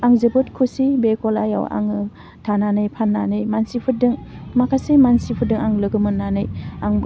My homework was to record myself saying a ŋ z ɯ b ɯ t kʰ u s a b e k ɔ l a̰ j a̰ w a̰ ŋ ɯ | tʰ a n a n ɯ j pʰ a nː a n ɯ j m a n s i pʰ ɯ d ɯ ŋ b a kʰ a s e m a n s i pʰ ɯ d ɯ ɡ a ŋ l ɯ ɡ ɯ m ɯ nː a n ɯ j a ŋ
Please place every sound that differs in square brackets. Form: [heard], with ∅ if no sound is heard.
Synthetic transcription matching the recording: a ŋ z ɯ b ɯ t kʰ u s [i] b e k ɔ l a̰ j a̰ w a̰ ŋ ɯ | tʰ a n a n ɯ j pʰ a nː a n ɯ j m a n s i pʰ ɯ d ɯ ŋ [m] a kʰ a s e m a n s i pʰ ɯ d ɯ [ŋ] a ŋ l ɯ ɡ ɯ m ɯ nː a n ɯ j a ŋ